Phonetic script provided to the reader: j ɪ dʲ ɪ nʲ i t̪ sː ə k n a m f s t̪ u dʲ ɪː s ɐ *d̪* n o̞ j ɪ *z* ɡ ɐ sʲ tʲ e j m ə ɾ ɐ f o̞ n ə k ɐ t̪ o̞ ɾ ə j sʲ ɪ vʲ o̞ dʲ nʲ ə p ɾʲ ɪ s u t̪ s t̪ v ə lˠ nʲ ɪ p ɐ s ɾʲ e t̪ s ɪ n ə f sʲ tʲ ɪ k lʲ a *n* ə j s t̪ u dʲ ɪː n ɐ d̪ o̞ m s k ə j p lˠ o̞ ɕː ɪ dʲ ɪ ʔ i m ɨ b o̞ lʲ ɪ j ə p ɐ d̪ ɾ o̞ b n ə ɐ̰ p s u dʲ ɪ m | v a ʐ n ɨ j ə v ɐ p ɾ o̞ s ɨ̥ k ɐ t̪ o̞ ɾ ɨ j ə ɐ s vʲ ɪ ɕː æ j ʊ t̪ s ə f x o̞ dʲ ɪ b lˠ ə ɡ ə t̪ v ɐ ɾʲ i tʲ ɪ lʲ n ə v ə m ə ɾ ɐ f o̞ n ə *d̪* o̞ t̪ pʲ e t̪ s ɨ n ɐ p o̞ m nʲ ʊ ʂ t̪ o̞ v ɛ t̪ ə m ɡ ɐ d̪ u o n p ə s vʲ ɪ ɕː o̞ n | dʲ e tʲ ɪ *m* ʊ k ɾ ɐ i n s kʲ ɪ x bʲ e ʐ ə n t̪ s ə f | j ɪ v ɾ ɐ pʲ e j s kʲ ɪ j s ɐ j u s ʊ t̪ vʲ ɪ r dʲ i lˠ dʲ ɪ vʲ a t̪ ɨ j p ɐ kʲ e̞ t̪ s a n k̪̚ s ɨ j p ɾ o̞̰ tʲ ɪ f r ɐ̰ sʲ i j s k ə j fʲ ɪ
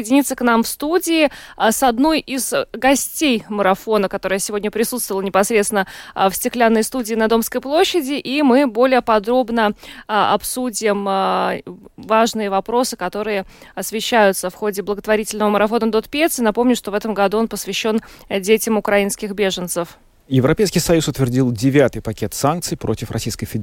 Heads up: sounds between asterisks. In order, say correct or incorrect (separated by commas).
correct, correct, incorrect, correct, correct